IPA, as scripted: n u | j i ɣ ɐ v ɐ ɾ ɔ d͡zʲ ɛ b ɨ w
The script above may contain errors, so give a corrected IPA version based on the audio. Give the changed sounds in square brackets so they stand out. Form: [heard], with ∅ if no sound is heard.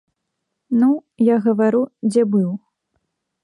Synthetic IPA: n u | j [a] ɣ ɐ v [a] ɾ [u] d͡zʲ ɛ b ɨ w